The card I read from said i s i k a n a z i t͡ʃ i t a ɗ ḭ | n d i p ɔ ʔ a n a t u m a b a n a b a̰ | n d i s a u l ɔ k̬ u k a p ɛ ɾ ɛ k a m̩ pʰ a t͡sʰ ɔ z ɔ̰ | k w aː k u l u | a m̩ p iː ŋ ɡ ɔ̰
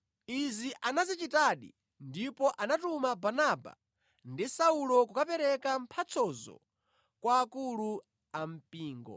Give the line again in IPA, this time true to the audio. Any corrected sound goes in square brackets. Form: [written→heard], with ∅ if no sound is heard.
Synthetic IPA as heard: i [s→z] i [k→ʔ] a n a z i t͡ʃ i t a ɗ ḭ | n d i p ɔ ʔ a n a t u m a b a n a b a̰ | n d i s a u l ɔ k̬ u k a p ɛ ɾ ɛ k a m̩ pʰ a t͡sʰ ɔ z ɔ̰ | k w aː k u l u | a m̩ p iː ŋ ɡ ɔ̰